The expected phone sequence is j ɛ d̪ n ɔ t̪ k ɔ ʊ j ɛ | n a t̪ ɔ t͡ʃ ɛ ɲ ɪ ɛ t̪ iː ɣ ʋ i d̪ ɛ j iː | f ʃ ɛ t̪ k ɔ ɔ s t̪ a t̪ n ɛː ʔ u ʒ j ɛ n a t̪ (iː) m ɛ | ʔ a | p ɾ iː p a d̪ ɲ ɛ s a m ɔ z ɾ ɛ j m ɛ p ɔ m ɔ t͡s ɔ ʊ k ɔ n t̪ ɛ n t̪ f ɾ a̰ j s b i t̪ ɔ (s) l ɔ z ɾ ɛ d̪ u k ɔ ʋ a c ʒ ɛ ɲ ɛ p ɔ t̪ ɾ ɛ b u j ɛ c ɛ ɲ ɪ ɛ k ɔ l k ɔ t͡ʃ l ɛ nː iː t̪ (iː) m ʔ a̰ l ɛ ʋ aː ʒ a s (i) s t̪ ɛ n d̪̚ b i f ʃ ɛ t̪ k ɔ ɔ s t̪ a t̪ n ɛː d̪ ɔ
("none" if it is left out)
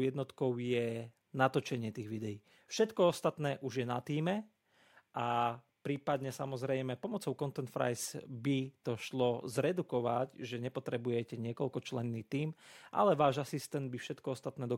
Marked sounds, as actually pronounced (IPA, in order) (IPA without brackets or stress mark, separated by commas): iː, ʃ, iː, i